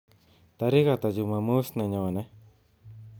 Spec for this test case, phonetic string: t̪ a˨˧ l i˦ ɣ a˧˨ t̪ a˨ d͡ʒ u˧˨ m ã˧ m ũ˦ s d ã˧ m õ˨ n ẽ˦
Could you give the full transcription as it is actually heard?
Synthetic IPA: t̪ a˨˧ ɾ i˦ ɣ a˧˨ t̪ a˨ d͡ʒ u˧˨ m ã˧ m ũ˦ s n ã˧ ɲ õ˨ n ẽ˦